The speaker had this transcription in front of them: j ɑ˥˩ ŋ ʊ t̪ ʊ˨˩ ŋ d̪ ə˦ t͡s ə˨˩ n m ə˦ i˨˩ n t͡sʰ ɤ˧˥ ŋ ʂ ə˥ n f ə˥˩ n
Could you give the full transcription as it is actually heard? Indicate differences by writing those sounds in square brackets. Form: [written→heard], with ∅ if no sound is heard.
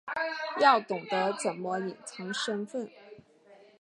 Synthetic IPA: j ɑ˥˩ [ŋ→∅] ʊ t̪ ʊ˨˩ ŋ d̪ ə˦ t͡s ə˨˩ n m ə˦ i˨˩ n t͡sʰ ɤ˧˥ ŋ ʂ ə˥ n f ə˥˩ n